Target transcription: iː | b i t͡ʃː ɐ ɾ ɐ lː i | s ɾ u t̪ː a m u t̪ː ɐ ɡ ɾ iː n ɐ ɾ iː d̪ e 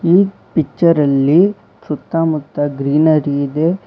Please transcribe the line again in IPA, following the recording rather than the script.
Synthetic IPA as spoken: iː | p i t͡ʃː ɐ ɾ ɐ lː i | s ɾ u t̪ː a m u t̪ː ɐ ɡ ɾ iː n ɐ ɾ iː d̪ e